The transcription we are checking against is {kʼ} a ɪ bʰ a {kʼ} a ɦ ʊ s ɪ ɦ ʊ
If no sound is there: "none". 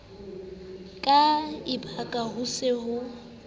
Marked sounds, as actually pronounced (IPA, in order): kʼ, kʼ

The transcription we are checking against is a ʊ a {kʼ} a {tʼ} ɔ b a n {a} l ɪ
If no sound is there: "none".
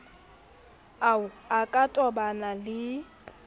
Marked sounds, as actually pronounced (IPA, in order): kʼ, tʼ, a

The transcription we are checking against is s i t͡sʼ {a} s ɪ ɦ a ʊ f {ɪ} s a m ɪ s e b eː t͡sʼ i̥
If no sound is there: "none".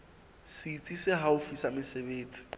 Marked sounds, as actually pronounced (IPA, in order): i, i

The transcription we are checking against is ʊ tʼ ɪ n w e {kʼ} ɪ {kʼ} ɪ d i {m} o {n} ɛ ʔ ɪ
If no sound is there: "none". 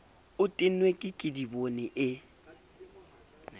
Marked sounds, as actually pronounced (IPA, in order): kʼ, kʼ, b, n

